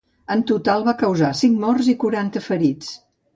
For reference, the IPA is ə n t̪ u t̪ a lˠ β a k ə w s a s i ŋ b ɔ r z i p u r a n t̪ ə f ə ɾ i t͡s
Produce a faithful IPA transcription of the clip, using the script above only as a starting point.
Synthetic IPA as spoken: ə n t̪ u t̪ a lˠ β a k ə w z a s i ŋ m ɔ r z i k u ɾ a n t̪ ə f ə ɾ i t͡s